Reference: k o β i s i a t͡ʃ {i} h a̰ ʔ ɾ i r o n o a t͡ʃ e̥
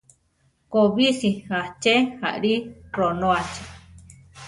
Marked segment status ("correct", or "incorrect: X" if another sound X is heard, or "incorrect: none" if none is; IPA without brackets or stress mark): incorrect: e